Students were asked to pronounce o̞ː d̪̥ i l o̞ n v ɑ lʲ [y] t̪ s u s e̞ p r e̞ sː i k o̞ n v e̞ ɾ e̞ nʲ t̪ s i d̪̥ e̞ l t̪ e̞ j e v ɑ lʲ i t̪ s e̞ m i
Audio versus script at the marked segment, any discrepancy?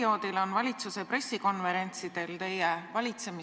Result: yes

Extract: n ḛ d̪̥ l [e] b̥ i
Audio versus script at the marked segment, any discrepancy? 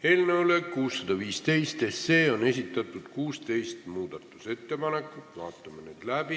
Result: yes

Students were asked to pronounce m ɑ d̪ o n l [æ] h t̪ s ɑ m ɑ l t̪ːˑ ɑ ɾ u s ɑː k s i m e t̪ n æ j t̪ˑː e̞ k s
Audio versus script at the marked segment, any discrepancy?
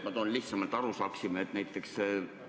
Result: yes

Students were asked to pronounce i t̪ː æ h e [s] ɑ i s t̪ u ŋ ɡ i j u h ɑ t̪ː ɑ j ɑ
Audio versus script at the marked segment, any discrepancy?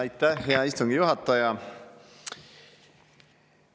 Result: yes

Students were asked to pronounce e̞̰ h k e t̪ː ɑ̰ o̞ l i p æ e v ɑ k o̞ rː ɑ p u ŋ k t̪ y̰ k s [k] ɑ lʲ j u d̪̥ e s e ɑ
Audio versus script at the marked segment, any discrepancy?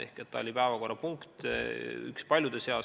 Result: yes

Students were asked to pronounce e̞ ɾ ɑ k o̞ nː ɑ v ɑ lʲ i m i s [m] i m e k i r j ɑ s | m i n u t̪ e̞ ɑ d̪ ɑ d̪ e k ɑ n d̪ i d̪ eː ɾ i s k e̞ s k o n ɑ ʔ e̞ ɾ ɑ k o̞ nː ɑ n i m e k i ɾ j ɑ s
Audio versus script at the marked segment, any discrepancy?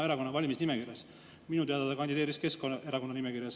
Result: yes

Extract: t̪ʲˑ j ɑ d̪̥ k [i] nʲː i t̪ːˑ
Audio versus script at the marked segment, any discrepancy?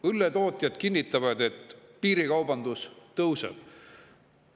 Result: no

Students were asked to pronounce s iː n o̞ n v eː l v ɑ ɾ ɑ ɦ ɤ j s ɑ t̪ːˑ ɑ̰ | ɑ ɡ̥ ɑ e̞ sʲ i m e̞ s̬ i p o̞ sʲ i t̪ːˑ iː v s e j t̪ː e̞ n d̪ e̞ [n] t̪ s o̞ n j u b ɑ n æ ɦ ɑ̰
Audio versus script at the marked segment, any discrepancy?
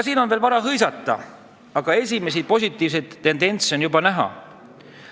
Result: no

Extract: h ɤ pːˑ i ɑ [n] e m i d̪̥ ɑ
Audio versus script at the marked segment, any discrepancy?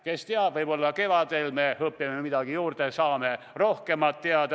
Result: yes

